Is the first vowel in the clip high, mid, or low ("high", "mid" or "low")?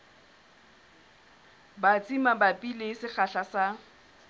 low